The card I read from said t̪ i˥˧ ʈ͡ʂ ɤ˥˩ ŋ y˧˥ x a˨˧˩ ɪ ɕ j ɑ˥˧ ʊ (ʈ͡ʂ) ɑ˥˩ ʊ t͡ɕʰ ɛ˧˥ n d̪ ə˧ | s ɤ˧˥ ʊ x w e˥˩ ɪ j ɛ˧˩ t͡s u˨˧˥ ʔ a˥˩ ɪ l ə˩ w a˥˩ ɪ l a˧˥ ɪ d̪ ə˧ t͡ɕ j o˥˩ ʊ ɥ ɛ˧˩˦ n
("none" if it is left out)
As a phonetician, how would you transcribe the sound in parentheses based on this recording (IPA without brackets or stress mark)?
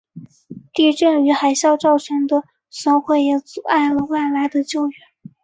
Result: ʈ͡ʂ